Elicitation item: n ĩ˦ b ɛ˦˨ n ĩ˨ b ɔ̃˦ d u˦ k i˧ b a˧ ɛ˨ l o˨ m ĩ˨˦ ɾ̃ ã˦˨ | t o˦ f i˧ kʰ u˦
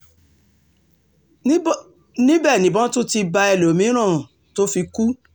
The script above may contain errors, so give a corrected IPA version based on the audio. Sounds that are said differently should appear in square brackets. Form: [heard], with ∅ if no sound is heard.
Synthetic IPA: n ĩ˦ b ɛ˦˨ n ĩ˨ b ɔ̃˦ [t] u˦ [t] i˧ b a˧ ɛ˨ l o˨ m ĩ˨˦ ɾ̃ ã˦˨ | t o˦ f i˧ [k] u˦